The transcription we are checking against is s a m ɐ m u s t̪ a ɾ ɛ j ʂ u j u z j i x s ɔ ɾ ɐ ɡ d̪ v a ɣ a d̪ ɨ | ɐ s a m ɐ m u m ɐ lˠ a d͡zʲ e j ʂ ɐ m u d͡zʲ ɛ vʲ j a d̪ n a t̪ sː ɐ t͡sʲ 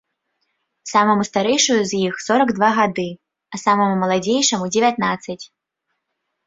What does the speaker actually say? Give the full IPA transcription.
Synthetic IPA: s a m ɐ m u s t̪ a ɾ ɛ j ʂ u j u z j i x s ɔ ɾ ɐ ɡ d̪ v a ɣ a d̪ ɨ | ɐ s a m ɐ m u m ɐ lˠ a d͡zʲ e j ʂ ɐ m u d͡zʲ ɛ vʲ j a t̪ n a t̪ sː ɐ t͡sʲ